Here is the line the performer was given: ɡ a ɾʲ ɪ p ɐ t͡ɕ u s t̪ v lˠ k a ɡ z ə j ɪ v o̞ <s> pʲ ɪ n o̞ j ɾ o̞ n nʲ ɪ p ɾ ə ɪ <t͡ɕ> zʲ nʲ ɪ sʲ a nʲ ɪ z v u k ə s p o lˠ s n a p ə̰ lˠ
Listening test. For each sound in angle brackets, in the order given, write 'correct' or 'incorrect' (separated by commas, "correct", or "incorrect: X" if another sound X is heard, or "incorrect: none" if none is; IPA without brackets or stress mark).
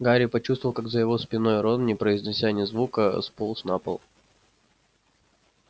correct, incorrect: none